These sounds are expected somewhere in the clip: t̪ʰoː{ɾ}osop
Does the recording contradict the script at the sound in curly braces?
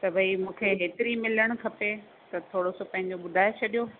yes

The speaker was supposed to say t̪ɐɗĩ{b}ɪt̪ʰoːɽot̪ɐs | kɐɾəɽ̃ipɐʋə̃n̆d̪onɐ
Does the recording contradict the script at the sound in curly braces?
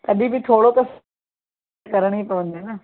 no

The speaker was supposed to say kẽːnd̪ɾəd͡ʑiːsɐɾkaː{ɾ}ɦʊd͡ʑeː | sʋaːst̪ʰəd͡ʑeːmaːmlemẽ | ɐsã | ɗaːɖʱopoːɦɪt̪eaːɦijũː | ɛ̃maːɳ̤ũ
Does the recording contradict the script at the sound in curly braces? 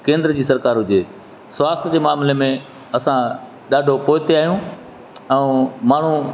no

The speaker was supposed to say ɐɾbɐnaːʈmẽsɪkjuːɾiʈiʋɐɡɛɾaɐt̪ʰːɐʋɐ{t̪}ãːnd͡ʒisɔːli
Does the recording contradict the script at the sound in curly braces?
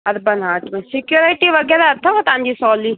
no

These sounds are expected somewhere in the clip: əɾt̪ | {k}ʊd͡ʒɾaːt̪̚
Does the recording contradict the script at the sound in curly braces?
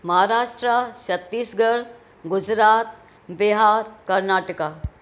yes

